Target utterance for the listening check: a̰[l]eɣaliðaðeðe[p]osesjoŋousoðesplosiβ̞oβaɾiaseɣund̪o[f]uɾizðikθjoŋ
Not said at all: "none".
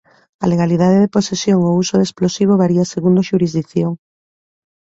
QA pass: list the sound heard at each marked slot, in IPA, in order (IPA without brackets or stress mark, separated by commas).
l, p, ʃ